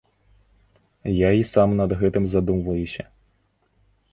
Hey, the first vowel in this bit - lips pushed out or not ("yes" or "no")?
no